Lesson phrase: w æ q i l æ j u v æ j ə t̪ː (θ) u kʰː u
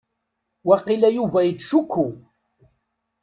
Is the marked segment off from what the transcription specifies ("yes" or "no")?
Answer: yes